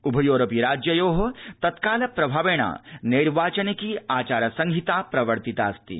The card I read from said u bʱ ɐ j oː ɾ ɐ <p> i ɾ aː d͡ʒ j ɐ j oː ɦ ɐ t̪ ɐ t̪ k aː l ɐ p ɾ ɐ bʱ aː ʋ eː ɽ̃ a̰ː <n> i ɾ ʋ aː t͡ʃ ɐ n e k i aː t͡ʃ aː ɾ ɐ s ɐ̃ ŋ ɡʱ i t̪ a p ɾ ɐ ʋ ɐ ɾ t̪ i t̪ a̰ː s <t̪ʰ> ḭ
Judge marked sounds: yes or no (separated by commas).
yes, yes, no